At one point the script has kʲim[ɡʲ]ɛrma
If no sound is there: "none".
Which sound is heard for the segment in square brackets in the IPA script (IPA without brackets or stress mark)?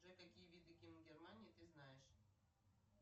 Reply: ɡʲ